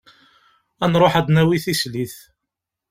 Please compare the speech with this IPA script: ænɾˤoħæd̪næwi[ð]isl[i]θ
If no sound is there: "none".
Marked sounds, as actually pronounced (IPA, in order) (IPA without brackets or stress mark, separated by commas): θ, i